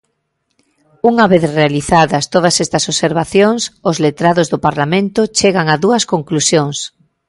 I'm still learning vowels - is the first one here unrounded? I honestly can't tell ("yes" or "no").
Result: no